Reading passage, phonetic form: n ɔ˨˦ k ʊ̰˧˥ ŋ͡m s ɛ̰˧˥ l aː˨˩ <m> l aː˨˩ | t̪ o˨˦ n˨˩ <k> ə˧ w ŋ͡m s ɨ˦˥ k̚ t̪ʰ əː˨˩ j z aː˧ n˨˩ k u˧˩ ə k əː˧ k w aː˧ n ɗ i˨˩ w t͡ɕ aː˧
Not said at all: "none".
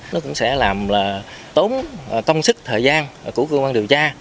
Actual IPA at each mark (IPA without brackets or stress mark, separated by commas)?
m, k